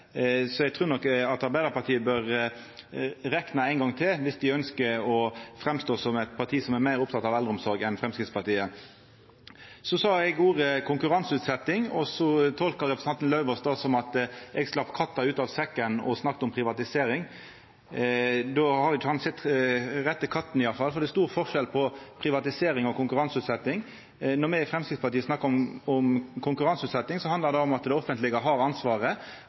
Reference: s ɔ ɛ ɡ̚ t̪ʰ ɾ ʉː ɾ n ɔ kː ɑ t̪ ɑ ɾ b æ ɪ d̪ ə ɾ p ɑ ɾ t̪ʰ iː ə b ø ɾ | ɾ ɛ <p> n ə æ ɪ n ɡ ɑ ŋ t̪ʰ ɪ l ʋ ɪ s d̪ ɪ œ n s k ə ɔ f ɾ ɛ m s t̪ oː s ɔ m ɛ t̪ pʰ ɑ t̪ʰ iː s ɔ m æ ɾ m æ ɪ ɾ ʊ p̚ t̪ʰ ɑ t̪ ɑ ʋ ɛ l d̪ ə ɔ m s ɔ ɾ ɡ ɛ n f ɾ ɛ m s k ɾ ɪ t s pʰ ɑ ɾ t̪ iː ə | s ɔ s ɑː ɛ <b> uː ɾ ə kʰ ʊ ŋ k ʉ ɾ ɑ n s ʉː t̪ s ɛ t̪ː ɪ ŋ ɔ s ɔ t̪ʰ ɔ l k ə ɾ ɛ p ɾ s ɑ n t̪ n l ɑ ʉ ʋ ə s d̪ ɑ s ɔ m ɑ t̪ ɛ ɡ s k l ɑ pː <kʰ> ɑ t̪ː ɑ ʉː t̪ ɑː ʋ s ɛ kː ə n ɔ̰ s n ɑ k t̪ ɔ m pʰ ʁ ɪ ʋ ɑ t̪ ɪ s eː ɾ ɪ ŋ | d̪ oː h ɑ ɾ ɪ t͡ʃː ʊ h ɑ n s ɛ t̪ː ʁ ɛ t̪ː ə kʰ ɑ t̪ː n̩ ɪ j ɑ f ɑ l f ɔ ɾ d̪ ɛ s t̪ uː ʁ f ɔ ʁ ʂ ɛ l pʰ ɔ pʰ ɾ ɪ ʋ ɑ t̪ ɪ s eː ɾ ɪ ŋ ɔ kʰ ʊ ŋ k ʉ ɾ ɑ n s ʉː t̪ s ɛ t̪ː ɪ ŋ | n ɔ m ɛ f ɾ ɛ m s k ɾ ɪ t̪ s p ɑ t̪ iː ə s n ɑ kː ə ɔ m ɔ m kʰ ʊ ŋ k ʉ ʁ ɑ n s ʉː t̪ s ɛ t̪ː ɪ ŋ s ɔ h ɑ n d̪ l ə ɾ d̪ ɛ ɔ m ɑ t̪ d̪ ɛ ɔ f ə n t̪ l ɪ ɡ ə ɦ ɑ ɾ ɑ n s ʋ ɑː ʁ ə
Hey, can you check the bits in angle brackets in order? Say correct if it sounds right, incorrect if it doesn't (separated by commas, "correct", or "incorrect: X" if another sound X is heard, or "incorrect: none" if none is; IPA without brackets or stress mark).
incorrect: k, incorrect: ɡ, correct